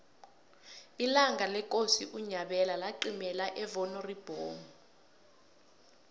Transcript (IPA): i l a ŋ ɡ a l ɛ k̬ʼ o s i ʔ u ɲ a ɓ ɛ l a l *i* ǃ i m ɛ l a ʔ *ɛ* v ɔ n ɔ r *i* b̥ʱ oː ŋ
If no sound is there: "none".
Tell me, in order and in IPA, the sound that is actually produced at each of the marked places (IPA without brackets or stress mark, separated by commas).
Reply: a, ɛ, i